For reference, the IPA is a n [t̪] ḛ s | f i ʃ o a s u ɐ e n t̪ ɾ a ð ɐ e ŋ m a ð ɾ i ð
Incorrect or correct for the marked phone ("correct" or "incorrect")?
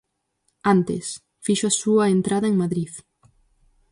correct